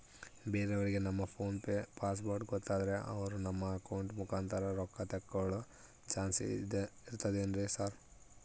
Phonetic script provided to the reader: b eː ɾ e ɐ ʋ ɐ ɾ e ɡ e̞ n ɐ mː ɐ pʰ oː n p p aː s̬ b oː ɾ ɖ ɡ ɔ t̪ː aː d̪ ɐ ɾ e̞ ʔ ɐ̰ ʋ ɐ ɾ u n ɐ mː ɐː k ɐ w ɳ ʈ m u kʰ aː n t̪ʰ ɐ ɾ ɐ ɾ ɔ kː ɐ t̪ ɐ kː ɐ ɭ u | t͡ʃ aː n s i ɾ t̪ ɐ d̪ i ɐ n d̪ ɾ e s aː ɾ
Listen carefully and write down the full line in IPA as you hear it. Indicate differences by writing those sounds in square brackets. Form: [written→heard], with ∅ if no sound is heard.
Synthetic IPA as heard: b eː ɾ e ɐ ʋ ɐ ɾ [e→i] ɡ e̞ n ɐ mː ɐ pʰ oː n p p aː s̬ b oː ɾ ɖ ɡ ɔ t̪ː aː d̪ ɐ ɾ e̞ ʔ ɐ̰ ʋ ɐ ɾ u n ɐ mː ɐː k ɐ w ɳ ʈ m u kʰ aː n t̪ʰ ɐ ɾ ɐ ɾ ɔ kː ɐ t̪ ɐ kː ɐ ɭ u | t͡ʃ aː n s i ɾ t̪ ɐ d̪ [i→e] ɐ n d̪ ɾ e s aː ɾ